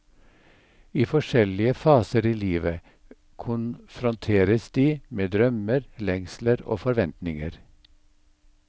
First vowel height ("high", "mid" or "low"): high